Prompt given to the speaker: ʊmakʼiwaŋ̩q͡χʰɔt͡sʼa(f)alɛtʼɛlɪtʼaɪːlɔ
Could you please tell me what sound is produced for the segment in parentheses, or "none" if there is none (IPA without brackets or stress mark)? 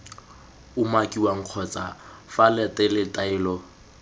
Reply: f